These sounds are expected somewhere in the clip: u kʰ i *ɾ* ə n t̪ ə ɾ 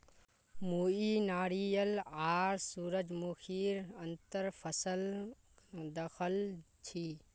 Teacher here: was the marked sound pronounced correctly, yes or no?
yes